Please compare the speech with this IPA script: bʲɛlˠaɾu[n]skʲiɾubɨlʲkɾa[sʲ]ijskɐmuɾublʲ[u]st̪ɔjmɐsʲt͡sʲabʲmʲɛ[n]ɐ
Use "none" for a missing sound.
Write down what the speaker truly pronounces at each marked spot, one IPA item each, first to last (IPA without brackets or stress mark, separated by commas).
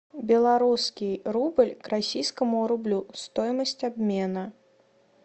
none, sʲ, u, n